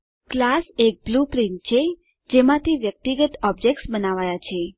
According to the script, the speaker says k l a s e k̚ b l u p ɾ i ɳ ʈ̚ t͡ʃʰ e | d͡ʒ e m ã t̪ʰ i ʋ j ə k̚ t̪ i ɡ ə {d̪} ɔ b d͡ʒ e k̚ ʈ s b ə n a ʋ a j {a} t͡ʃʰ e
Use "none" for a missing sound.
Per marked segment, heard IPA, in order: t̪, a

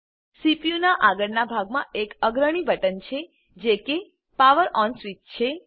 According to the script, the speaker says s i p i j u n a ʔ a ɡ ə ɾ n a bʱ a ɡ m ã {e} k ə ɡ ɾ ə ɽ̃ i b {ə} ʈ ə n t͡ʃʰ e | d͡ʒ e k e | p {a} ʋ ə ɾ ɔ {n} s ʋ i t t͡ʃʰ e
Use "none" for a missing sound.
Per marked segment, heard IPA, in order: e, ə, a, n

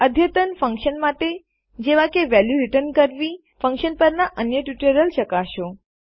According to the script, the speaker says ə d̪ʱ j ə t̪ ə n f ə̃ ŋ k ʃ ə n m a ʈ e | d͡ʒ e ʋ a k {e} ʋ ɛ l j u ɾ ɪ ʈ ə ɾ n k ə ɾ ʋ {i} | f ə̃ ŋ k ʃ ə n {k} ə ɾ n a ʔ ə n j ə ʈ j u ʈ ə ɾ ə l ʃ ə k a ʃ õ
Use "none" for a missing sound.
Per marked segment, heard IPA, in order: e, i, p

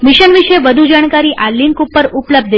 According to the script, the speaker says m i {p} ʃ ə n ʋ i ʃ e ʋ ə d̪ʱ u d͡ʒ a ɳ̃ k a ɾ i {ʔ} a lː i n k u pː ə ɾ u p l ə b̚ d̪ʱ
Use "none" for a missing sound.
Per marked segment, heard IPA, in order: none, ʔ

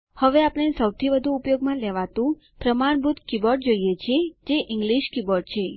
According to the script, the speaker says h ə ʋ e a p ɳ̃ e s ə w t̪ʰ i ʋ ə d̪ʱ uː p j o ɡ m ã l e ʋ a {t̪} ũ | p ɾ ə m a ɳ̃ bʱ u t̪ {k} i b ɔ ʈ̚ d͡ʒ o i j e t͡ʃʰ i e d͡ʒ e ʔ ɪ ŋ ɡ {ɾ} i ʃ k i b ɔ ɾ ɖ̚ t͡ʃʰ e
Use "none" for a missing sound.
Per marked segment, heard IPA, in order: t̪, k, l

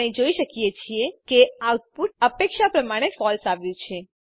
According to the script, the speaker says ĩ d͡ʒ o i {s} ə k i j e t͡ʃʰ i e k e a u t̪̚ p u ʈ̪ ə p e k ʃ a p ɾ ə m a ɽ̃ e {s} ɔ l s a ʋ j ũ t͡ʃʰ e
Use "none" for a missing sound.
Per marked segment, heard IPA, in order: ʃ, f

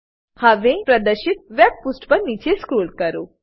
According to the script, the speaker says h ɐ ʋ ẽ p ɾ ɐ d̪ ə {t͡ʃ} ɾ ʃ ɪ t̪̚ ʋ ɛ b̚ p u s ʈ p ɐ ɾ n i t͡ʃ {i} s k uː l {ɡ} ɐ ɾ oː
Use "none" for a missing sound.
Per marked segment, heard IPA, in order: none, e, k

